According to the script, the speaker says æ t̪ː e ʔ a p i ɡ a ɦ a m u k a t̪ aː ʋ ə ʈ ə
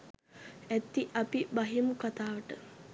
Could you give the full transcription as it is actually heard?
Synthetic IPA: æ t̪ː i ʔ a p i b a ɦ i m u k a t̪ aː ʋ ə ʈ ə